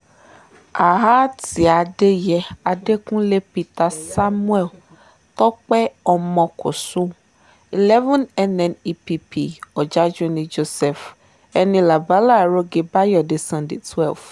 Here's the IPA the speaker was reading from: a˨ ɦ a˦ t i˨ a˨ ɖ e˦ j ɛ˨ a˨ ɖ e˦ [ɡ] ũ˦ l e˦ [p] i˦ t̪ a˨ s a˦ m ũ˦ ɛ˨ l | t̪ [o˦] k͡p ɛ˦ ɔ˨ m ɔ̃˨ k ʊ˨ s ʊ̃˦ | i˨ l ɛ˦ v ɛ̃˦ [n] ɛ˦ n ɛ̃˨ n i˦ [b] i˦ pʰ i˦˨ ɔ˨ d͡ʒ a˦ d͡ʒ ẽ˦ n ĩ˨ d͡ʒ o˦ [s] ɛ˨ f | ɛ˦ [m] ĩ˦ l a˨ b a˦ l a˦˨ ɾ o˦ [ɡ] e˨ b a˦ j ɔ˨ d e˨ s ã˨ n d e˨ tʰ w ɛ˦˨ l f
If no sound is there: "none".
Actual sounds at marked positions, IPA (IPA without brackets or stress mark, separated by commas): k, p, ɔ˦, n, p, s, n, ɡ